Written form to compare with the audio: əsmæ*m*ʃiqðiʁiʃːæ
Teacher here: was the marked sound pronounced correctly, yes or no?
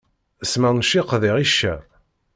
no